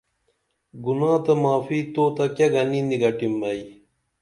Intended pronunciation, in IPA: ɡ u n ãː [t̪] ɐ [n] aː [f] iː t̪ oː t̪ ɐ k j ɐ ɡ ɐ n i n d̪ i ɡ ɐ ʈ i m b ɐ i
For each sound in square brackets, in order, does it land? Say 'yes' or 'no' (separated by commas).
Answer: yes, no, yes